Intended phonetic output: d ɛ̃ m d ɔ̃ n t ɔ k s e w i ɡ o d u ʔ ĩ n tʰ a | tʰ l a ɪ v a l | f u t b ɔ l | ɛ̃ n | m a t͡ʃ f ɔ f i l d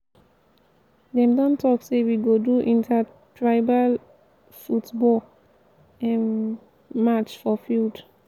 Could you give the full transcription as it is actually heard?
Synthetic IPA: d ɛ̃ m d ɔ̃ n t ɔ k s e w i ɡ o d u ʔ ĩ n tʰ a | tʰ ɹ a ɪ b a l | f u t b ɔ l | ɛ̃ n | m a t͡ʃ f ɔ f i l d